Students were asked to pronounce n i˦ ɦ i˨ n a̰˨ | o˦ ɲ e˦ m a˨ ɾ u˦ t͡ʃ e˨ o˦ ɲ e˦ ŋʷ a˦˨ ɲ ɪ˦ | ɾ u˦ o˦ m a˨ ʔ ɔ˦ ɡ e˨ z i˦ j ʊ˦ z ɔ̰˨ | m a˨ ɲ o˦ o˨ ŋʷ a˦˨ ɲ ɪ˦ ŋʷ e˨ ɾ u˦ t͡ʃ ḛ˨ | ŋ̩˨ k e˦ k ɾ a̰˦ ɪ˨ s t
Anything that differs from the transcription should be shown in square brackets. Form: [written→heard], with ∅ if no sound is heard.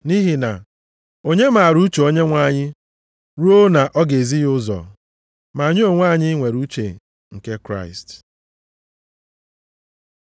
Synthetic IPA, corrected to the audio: n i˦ ɦ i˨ n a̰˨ | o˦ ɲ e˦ m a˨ ɾ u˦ t͡ʃ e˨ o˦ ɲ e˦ ŋʷ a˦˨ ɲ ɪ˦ | ɾ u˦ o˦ [m→n] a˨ ʔ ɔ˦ ɡ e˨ z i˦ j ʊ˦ z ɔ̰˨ | m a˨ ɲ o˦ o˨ ŋʷ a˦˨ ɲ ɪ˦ ŋʷ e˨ ɾ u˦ t͡ʃ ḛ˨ | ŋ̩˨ k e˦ k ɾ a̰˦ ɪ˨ s t